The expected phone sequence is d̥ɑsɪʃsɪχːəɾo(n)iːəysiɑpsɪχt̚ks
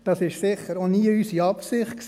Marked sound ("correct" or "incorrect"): correct